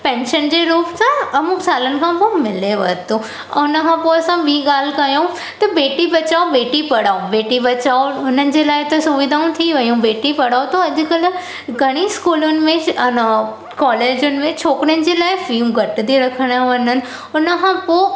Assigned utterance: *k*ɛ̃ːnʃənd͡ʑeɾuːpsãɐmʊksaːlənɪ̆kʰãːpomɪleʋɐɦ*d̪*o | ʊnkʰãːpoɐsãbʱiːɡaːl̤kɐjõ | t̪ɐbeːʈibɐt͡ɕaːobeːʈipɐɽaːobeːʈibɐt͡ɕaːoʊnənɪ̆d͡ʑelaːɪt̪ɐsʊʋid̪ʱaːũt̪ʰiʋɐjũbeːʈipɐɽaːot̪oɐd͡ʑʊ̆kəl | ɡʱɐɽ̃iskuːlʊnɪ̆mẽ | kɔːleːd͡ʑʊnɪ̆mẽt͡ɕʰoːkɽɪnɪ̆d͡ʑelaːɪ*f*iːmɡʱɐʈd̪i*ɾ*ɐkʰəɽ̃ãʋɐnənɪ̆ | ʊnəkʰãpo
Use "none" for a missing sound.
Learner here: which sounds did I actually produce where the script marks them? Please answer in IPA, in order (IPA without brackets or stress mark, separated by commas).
p, t̪, f, ɾ